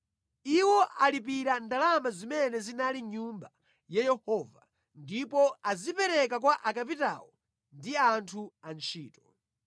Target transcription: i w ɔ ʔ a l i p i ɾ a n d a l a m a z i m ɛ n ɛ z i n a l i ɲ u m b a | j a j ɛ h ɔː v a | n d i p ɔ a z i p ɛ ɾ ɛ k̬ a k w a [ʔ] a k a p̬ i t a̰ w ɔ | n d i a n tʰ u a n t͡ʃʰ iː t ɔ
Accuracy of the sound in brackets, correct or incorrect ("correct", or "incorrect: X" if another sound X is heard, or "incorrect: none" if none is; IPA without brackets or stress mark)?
correct